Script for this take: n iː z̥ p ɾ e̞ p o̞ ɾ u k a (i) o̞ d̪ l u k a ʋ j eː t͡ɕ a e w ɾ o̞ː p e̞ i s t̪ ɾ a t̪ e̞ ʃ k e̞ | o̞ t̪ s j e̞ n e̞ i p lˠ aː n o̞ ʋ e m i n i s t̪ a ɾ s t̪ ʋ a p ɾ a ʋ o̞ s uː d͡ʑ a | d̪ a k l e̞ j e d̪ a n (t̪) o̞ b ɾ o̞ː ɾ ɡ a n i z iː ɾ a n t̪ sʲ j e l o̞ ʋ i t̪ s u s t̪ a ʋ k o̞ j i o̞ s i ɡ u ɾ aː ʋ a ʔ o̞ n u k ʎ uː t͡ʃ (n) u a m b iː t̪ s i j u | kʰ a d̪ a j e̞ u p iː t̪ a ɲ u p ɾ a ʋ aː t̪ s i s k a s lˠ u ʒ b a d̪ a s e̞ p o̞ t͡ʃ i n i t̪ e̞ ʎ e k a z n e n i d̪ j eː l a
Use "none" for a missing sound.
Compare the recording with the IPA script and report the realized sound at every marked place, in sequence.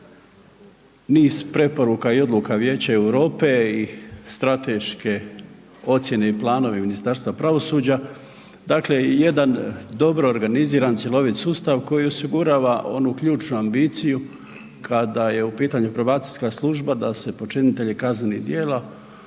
i, d̪, n

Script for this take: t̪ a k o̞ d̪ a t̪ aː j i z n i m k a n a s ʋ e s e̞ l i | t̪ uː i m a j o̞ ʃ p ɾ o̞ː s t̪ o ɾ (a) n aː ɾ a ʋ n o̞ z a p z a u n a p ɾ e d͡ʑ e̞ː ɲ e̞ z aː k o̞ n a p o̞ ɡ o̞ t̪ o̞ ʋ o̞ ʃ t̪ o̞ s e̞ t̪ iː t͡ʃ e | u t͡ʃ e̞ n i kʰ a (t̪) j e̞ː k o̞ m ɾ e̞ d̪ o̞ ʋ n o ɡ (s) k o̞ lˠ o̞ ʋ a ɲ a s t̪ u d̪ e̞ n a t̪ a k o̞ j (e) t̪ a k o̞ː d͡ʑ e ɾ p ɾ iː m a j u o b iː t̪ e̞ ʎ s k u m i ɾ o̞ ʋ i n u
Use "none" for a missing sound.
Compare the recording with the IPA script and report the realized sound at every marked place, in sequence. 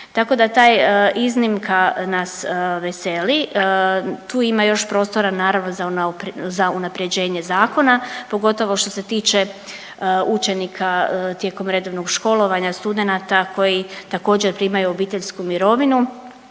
a, t̪, ʃ, i

